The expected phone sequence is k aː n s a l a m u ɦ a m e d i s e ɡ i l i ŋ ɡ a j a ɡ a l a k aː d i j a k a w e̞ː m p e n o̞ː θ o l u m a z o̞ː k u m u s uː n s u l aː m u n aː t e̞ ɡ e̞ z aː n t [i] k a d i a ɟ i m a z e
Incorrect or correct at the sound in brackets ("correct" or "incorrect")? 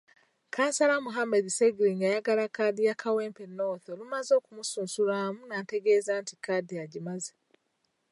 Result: correct